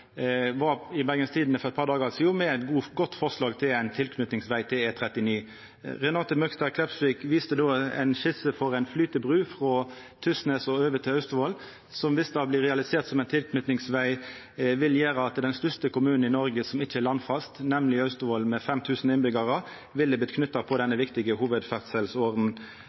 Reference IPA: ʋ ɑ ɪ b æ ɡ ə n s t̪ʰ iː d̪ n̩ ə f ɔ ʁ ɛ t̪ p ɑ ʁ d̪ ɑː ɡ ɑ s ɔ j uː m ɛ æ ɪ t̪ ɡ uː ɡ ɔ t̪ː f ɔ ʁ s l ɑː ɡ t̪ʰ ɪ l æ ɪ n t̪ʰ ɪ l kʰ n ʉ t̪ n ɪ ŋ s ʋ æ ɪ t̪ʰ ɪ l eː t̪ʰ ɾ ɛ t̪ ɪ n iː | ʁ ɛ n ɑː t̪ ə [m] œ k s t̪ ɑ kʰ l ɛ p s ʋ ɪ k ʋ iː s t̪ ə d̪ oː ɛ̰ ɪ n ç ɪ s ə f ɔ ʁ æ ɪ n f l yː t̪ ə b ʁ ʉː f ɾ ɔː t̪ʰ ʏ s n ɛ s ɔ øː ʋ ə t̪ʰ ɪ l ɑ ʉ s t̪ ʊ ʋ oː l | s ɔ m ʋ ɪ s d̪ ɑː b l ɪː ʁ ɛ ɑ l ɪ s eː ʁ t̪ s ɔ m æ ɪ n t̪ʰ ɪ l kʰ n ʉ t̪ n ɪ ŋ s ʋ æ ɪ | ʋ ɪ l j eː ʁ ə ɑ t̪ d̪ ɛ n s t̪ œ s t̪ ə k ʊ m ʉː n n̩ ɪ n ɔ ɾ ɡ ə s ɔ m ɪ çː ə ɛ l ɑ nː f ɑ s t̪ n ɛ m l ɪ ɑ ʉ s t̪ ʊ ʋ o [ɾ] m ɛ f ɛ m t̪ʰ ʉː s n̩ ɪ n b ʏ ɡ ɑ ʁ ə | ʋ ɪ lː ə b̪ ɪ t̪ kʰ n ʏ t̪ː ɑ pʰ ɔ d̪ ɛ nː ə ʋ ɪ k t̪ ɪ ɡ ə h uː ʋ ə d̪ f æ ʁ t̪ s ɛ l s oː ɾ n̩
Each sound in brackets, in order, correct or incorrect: correct, incorrect: l

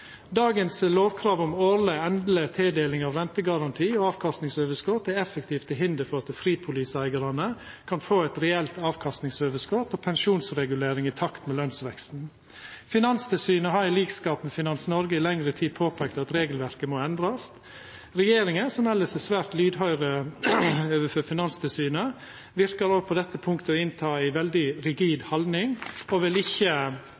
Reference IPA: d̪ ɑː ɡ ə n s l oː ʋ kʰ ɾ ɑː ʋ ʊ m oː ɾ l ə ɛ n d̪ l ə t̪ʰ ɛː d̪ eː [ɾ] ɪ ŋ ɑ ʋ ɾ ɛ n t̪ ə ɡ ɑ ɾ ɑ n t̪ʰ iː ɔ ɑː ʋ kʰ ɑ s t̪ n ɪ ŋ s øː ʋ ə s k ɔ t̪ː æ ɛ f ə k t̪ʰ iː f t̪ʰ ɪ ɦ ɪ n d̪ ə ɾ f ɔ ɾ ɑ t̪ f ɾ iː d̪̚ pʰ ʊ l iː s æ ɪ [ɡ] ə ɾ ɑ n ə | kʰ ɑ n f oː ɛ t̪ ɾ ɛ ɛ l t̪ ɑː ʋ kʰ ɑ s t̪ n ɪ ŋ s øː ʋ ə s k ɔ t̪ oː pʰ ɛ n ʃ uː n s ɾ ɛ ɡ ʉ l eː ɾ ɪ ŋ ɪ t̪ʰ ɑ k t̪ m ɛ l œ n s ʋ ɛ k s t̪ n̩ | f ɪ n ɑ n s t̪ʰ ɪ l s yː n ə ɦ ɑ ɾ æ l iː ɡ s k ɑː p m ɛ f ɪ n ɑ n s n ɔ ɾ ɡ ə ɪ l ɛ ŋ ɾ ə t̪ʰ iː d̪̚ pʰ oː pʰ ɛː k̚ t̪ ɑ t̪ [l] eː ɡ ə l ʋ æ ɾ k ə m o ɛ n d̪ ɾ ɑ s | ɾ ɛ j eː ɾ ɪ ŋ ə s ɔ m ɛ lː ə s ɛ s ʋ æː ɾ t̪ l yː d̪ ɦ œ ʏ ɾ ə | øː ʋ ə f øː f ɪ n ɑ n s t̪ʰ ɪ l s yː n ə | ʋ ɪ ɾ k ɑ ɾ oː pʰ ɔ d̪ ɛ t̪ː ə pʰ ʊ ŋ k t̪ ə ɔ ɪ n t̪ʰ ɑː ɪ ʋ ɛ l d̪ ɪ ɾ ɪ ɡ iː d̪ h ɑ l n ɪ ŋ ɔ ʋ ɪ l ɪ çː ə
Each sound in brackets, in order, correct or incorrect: incorrect: l, correct, incorrect: ɾ

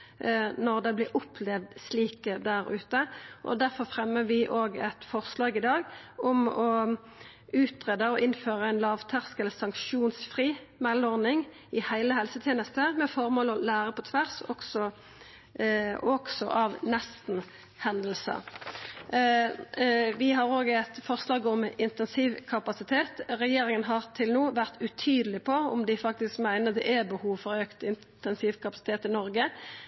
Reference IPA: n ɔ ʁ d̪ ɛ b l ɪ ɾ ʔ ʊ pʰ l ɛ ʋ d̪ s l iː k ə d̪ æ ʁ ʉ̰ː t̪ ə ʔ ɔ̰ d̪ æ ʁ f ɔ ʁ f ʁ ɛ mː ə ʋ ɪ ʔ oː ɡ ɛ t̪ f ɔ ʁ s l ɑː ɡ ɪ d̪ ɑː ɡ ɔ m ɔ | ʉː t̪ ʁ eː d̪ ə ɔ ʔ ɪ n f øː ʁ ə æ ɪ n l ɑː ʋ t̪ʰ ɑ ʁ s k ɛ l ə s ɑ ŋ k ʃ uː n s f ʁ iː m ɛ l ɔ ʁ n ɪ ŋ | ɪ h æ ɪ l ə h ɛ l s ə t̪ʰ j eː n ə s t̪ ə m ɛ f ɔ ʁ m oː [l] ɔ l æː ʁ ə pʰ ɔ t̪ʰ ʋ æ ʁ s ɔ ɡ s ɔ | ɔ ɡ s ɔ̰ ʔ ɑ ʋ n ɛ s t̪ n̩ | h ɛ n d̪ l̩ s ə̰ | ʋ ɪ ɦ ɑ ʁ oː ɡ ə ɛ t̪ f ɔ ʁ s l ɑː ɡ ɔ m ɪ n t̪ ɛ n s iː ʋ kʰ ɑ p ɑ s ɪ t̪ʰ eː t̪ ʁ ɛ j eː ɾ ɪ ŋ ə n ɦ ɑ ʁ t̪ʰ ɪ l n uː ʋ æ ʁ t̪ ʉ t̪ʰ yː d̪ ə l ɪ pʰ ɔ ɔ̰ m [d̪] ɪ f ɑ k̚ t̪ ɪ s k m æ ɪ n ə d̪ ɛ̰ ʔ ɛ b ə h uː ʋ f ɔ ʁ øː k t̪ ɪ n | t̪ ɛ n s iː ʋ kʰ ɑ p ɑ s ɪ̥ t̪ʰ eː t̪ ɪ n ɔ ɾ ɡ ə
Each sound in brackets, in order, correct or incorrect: correct, correct

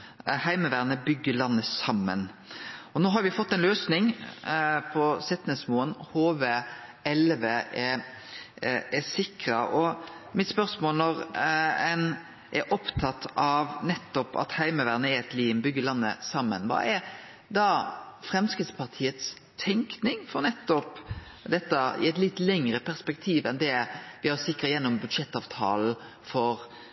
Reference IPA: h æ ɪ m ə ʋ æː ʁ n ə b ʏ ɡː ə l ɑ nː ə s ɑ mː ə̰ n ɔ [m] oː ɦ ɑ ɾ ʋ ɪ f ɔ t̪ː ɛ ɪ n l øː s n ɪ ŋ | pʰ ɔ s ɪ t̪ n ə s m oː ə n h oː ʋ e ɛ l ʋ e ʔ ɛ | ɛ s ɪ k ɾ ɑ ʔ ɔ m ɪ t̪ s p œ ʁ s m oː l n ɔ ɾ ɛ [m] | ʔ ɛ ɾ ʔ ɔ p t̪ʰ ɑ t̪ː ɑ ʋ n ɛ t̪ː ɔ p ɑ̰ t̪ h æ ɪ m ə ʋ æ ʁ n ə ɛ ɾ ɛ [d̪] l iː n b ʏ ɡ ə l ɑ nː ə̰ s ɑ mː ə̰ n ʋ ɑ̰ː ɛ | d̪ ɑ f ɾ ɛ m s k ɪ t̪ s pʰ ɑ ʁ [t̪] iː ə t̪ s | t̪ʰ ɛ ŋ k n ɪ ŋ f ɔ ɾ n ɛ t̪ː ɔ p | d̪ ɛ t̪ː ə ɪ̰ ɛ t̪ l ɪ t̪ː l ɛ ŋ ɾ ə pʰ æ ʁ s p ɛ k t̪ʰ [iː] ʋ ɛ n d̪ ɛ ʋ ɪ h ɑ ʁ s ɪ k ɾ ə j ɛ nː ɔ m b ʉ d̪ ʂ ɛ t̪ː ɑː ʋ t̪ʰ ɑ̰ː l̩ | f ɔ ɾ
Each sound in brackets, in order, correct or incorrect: incorrect: n, incorrect: n, incorrect: t̪, incorrect: t̪ʰ, correct

